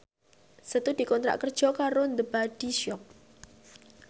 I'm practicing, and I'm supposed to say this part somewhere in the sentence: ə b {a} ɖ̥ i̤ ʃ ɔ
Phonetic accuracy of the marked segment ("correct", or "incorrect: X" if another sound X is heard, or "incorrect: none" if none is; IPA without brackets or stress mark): correct